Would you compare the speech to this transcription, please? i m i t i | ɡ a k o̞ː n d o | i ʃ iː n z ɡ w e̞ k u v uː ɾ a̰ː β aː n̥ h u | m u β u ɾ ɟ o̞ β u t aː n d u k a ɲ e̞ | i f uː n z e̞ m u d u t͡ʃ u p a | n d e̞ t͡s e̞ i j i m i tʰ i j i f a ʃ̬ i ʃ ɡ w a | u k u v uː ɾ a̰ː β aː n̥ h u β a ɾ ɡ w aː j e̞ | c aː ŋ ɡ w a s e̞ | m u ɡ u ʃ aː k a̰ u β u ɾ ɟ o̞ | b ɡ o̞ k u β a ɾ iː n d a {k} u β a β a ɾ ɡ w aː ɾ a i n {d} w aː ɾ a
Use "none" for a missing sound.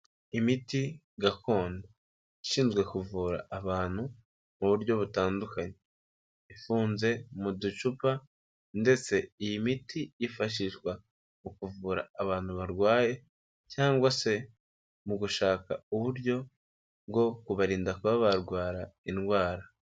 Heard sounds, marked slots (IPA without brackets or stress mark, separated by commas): k, ɡ